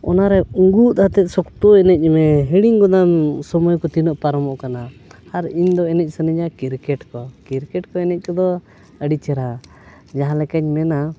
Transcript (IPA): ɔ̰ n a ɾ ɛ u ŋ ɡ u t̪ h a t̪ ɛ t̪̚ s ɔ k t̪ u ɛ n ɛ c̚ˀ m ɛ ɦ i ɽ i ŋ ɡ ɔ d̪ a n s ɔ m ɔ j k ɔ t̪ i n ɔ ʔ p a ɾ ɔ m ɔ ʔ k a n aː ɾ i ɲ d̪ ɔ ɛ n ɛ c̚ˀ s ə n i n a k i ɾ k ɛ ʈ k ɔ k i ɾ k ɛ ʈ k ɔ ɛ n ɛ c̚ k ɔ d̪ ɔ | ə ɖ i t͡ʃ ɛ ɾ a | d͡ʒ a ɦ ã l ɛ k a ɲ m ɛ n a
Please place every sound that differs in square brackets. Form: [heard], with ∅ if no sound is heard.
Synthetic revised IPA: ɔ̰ n a ɾ ɛ u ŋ ɡ u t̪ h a t̪ ɛ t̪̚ s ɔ k t̪ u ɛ n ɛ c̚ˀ m ɛ ɦ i ɽ i ŋ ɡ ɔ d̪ a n s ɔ m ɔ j k ɔ t̪ i n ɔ ʔ p a ɾ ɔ m ɔ ʔ k a n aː ɾ i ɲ d̪ ɔ ɛ n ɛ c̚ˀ s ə n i [ɲ] a k i ɾ k ɛ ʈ k ɔ k i ɾ k ɛ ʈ k ɔ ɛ n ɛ c̚ k ɔ d̪ ɔ | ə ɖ i t͡ʃ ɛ ɾ a | d͡ʒ a ɦ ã l ɛ k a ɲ m ɛ n a